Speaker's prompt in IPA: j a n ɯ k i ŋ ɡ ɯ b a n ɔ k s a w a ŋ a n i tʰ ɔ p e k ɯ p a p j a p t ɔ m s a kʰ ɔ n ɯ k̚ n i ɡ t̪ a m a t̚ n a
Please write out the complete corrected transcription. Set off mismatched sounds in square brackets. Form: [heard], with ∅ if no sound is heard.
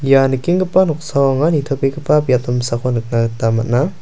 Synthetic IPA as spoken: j a n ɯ k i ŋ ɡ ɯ [p] a n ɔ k s a w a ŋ a n i tʰ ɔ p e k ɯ p a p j a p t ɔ m s a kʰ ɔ n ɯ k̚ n [a] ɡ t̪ a m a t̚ n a

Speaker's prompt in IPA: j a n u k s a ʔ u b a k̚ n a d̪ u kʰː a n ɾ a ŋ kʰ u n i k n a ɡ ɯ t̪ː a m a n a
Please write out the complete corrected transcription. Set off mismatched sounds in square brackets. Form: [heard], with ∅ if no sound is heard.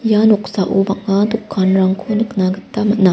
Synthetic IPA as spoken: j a n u k s a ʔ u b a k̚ [ŋ] a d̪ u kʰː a n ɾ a ŋ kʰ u n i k n a ɡ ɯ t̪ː a m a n a

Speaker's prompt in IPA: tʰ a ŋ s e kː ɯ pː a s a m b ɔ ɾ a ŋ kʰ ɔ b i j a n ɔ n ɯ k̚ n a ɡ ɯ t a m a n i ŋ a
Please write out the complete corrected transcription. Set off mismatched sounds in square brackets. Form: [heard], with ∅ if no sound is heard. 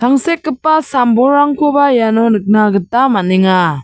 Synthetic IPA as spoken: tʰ a ŋ s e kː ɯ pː a s a m b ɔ ɾ a ŋ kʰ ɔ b [a] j a n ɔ n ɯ k̚ n a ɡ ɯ t a m a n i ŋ a

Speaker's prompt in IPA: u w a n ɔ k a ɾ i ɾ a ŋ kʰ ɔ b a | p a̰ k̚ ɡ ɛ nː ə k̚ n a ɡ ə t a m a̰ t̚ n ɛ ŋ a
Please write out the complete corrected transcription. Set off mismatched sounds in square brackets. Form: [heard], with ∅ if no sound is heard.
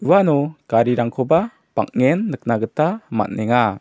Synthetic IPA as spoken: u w a n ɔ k a ɾ i ɾ a ŋ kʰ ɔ b a | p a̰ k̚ [ŋ] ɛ nː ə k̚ n a ɡ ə t a m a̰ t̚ n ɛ ŋ a

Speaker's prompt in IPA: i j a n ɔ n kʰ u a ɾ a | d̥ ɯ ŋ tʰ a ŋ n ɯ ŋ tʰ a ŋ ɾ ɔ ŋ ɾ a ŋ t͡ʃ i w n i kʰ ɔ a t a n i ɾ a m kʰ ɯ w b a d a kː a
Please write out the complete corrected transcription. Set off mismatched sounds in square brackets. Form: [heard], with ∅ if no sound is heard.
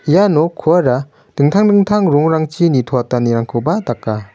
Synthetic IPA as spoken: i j a n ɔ [∅] kʰ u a ɾ a | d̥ ɯ ŋ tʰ a ŋ [d] ɯ ŋ tʰ a ŋ ɾ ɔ ŋ ɾ a ŋ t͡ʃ i [∅] n i [tʰ] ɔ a t a n i ɾ a [ŋ] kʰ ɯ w b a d a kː a

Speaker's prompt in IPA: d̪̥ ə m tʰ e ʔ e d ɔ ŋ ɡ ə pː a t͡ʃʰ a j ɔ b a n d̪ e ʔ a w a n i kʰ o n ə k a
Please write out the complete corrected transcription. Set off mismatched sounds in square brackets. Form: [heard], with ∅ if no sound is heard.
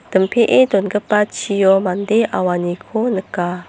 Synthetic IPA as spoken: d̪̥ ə m [pʰ] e ʔ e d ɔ [n] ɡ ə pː a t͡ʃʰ [i] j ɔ [m] a n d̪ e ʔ a w a n i kʰ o n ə k a

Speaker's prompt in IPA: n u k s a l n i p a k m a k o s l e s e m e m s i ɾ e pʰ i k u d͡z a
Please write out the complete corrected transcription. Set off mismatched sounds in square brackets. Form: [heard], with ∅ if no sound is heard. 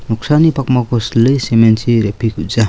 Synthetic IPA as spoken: n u k s a [∅] n i p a k m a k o s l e s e m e [n] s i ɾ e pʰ i k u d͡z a

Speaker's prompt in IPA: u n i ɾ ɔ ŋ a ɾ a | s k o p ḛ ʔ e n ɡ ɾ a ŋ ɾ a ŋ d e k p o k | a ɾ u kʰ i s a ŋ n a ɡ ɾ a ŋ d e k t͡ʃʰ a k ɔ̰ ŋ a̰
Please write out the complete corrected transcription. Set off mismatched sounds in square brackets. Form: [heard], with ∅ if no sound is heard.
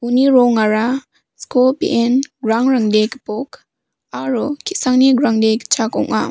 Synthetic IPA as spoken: u n i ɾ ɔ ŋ a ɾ a | s k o p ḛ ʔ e n ɡ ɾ a ŋ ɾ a ŋ d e k p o k | a ɾ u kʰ i s a ŋ n [i] ɡ ɾ a ŋ d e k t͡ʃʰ a k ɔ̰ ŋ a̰

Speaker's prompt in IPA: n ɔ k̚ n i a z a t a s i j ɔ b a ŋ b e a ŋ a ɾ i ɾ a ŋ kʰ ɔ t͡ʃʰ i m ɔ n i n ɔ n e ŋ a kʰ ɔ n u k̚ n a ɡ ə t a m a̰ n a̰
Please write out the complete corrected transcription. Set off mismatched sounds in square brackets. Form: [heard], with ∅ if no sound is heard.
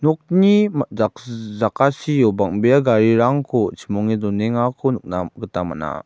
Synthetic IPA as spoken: n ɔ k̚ n i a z a [k] a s i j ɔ b a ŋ b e a [ɡ] a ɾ i ɾ a ŋ kʰ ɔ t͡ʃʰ i m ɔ [ŋ] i [d] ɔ n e ŋ a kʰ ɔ n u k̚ n a ɡ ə t a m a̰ n a̰

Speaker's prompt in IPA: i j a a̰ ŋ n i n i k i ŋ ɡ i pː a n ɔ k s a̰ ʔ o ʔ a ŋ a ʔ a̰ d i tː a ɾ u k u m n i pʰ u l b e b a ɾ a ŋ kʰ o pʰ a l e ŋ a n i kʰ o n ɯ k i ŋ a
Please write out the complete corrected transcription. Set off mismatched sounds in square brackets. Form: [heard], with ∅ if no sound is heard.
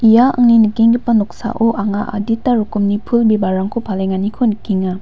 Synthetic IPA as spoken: i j a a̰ ŋ n i n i k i ŋ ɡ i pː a n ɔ k s a̰ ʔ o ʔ a ŋ a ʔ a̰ d i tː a ɾ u k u m n i pʰ u l b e b a ɾ a ŋ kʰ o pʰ a l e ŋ a n i kʰ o n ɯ k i ŋ a

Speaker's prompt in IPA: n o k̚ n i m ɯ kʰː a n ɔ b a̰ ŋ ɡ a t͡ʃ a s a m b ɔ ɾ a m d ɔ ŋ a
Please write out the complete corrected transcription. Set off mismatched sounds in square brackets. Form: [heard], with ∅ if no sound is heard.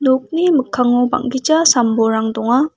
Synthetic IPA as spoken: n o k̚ n i m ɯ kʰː a [ŋ] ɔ b a̰ ŋ ɡ [i] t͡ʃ a s a m b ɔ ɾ a [ŋ] d ɔ ŋ a

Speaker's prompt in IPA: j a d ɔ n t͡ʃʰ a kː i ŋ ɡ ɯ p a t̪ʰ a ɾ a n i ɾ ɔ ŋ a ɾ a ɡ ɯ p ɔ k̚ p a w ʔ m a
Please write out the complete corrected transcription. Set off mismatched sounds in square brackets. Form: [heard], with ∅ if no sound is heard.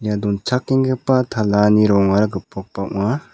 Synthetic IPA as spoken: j a d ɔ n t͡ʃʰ a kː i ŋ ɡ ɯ p a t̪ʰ a [l] a n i ɾ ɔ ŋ a ɾ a ɡ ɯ p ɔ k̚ p a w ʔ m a

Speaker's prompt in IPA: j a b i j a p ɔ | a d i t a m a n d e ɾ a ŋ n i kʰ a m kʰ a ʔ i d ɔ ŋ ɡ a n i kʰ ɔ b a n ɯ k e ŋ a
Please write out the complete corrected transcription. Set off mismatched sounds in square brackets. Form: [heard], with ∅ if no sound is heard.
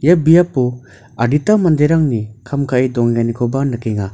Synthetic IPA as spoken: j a b i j a p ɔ | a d i t a m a n d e ɾ a ŋ n i kʰ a m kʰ a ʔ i d ɔ ŋ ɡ a n i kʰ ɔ b a n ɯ k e ŋ a

